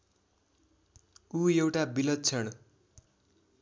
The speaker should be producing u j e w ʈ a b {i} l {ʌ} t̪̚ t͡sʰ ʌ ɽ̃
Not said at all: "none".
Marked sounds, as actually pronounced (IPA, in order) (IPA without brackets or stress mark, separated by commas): i, ʌ